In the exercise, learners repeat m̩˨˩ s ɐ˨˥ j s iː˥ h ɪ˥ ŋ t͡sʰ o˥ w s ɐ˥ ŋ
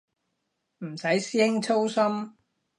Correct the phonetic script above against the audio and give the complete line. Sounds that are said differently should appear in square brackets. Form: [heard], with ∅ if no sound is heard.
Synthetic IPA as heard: m̩˨˩ s ɐ˨˥ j s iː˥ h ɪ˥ ŋ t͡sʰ o˥ w s ɐ˥ [m]